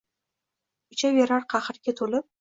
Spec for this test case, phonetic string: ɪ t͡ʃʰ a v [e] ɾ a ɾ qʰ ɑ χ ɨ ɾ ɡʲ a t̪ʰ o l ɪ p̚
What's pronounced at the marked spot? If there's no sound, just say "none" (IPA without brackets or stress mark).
e